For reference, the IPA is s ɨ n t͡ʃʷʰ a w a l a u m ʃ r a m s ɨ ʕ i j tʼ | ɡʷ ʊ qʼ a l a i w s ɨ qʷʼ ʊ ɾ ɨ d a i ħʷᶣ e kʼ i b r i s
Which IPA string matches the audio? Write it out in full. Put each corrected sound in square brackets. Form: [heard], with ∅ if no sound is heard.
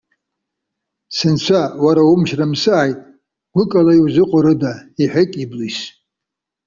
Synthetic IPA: s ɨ n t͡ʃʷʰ a w a [ɾ] a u m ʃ r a m s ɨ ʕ [a] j tʼ | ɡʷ ʊ [kʼ] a l a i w [z] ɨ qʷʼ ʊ ɾ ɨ d a i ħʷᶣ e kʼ i b [l] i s